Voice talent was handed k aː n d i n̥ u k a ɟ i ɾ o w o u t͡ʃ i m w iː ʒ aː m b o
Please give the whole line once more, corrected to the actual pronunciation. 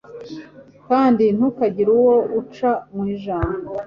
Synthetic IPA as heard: k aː n d i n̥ u k a ɟ i ɾ u w o u t͡ʃ a m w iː ʒ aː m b o